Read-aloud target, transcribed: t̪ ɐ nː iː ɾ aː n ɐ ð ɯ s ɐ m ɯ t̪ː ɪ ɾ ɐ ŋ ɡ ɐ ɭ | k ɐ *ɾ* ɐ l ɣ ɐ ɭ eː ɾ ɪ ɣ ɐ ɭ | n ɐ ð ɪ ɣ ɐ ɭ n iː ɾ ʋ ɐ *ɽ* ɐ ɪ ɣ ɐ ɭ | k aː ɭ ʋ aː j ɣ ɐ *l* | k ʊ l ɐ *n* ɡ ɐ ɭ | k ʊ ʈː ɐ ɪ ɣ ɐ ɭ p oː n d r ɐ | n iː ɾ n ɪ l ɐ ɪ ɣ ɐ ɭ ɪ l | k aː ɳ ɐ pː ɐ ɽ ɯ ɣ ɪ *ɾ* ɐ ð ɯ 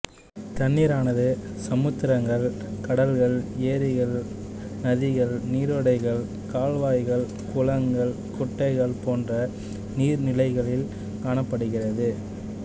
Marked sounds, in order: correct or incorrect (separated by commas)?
incorrect, correct, incorrect, incorrect, incorrect